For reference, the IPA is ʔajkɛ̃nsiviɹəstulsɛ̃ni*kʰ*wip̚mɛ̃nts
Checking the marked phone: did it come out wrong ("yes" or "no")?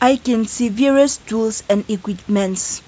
yes